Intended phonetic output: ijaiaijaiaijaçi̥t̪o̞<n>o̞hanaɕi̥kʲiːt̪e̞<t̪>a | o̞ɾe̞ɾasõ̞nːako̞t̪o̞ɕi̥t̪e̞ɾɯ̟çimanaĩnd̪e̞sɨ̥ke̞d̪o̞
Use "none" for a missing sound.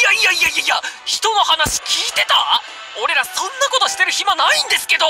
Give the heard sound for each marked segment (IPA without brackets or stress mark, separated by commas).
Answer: n, t̪